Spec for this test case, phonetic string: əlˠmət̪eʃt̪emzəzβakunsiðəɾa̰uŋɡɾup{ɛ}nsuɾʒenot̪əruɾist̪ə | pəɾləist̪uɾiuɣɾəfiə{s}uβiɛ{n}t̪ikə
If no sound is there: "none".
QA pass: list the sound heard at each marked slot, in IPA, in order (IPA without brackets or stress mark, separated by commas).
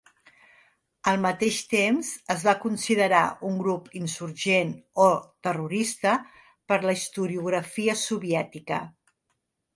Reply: i, s, none